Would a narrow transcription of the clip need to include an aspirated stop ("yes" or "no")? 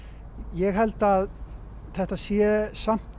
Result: no